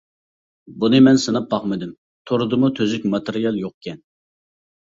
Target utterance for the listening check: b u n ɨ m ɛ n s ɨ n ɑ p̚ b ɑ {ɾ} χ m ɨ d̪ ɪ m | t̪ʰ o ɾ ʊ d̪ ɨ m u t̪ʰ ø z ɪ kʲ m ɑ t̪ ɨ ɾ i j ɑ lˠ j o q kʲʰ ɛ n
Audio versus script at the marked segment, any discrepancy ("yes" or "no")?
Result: yes